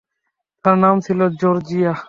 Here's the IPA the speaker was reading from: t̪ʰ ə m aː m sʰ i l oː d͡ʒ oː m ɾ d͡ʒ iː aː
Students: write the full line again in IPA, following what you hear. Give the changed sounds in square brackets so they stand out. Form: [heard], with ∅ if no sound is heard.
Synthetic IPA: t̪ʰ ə [n] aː m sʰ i l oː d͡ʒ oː [∅] ɾ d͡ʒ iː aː

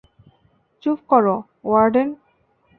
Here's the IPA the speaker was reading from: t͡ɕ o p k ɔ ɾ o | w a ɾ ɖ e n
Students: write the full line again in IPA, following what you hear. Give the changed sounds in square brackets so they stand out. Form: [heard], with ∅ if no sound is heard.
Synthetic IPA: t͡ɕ [u] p k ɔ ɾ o | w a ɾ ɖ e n

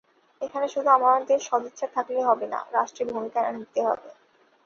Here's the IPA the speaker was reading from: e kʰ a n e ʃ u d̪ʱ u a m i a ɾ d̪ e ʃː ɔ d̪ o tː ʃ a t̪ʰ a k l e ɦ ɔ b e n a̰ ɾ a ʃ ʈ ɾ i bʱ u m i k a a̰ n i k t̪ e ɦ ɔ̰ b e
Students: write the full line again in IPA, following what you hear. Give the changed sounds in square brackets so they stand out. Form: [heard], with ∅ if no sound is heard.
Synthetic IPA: e kʰ a n e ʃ u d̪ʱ u a m [a] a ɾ d̪ e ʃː ɔ d̪ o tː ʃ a t̪ʰ a k l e ɦ ɔ b e n a̰ ɾ a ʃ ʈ ɾ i bʱ u m i k a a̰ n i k t̪ e ɦ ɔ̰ b e

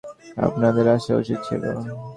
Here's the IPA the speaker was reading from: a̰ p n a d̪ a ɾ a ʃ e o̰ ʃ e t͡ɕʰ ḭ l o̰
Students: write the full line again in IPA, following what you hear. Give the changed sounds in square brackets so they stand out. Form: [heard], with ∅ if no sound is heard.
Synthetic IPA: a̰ p n a d̪ [e] ɾ a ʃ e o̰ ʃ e t͡ɕʰ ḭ l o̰

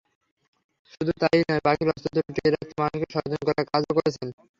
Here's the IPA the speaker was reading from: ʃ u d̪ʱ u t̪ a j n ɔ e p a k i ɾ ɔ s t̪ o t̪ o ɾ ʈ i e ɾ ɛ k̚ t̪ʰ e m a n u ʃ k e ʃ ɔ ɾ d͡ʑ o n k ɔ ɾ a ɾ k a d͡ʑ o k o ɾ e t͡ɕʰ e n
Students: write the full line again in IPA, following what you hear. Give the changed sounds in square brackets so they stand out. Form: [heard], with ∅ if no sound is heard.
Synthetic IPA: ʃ u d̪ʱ u t̪ a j n ɔ e p a k i ɾ ɔ s t̪ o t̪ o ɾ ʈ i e ɾ [a] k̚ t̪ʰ e m a n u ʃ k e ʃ ɔ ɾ d͡ʑ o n k ɔ ɾ a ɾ k a d͡ʑ o k o ɾ e t͡ɕʰ e n

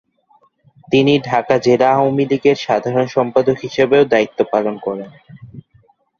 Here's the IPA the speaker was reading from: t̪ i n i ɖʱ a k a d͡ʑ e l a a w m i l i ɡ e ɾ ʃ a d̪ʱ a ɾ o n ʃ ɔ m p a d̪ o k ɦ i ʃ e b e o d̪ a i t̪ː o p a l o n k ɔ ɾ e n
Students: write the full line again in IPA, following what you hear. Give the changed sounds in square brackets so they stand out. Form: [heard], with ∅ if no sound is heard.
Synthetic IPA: t̪ i n i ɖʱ a k a d͡ʑ e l a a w m i l i ɡ e ɾ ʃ a d̪ʱ a ɾ o n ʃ ɔ m p a d̪ o k ɦ i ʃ e b e o d̪ a i t̪ː o p a l o n k ɔ ɾ e n

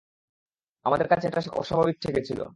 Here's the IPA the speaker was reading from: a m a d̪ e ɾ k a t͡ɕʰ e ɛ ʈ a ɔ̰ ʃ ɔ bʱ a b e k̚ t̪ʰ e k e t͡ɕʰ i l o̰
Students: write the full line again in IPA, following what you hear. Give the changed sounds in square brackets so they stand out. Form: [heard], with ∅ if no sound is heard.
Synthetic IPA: a m a d̪ e ɾ k a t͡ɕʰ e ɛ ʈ a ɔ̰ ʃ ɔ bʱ a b [i] k̚ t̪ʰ e k e t͡ɕʰ i l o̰

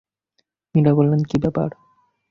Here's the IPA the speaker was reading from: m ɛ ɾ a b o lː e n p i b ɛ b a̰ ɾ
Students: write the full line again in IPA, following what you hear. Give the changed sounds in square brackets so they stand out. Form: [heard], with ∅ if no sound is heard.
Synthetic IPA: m [i] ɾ a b o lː e n [k] i b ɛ [p] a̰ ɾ

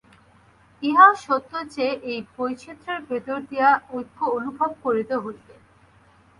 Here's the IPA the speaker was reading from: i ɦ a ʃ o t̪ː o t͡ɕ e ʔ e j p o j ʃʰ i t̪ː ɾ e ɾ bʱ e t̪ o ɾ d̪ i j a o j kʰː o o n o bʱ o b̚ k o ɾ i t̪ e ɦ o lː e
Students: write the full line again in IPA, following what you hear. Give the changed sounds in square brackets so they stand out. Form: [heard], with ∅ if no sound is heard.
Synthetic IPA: i ɦ a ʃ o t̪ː o t͡ɕ e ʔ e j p o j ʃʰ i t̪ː ɾ e ɾ bʱ e t̪ o ɾ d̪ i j a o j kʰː o o n [u] bʱ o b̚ k o ɾ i t̪ e ɦ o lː e

